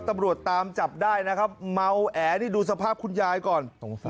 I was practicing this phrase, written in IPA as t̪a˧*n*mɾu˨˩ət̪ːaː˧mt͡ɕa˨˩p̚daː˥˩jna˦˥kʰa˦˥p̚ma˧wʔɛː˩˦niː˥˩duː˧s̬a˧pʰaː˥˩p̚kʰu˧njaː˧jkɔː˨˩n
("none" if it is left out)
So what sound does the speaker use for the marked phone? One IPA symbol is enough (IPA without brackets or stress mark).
none